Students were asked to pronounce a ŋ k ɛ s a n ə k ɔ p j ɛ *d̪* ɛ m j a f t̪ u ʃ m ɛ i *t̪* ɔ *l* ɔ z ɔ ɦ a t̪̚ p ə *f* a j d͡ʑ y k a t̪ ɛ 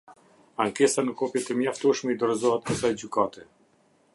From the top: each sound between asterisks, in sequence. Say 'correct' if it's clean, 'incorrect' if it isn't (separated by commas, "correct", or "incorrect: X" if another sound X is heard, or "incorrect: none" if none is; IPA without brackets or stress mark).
incorrect: t̪, incorrect: d̪, incorrect: ɾ, incorrect: s